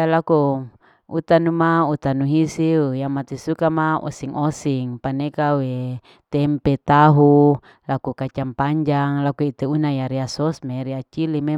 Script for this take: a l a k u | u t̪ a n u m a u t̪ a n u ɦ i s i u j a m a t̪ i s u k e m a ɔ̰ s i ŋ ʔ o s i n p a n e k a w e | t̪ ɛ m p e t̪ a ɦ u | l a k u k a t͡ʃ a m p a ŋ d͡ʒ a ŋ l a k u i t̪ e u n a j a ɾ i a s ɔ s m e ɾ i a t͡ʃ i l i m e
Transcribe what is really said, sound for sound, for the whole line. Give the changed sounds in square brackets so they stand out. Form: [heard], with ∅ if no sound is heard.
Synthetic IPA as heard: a l a k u | u t̪ a n u m a u t̪ a n u ɦ i s i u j a m a t̪ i s u k [a] m a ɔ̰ s i ŋ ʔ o s i [ŋ] p a n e k a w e | t̪ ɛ m p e t̪ a ɦ u | l a k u k a t͡ʃ a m p a [ɲ] d͡ʒ a ŋ l a k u i t̪ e u n a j a ɾ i a s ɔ s m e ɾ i a t͡ʃ i l i m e

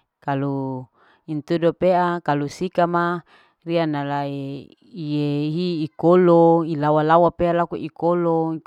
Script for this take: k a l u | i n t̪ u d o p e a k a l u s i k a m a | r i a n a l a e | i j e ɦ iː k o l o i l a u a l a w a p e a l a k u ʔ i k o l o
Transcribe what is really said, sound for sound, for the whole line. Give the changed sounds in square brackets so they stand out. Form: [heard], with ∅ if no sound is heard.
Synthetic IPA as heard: k a l u | i n t̪ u d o p e a k a l u s i k a m a | r i a n a l a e | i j e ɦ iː k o l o i l a [w] a l a w a p e a l a k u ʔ i k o l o

